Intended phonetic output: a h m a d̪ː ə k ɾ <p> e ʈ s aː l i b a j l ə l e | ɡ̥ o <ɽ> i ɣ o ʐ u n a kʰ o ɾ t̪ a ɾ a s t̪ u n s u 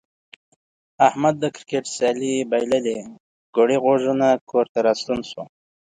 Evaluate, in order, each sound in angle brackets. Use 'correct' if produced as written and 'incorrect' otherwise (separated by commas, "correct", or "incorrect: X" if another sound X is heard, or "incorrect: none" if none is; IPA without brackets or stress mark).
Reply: incorrect: k, correct